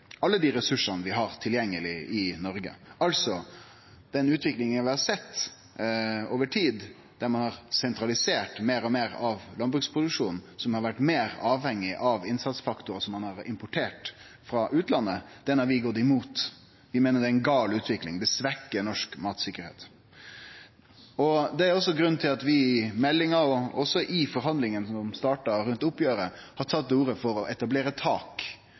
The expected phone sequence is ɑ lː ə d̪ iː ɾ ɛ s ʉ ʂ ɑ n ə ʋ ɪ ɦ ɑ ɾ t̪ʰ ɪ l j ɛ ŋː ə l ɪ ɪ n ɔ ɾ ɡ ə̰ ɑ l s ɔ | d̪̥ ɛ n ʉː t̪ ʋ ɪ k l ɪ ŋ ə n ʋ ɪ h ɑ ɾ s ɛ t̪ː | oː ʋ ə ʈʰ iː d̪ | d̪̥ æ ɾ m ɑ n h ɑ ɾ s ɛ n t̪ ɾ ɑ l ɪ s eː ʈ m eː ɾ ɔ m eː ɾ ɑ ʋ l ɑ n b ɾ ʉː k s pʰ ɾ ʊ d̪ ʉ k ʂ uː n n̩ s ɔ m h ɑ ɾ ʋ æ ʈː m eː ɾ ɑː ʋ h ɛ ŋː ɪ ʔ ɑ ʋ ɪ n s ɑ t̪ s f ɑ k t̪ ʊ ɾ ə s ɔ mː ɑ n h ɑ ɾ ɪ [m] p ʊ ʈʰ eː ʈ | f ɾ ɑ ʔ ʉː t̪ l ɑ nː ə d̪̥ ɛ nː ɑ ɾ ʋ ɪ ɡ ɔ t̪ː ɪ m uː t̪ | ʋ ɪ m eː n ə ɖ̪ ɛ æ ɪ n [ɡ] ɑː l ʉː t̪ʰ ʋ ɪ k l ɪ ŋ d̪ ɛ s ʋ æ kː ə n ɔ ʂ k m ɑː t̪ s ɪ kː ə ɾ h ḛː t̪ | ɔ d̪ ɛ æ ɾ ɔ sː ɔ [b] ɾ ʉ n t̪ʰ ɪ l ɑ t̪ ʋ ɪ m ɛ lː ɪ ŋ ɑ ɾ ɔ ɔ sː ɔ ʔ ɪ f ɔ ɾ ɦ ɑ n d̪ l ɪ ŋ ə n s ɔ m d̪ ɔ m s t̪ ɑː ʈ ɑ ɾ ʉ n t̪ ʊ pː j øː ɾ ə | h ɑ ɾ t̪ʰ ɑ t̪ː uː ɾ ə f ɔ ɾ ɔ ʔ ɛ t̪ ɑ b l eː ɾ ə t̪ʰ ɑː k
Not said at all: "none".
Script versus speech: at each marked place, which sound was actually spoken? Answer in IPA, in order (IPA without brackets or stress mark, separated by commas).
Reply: m, ɡ, ɡ